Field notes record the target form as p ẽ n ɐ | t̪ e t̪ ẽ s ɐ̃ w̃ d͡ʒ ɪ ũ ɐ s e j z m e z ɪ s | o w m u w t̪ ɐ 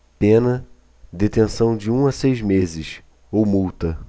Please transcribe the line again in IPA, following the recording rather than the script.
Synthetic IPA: p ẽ n ɐ | d̪ e t̪ ẽ s ɐ̃ w̃ d͡ʒ ɪ ũ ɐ s e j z m e z ɪ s | o w m u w t̪ ɐ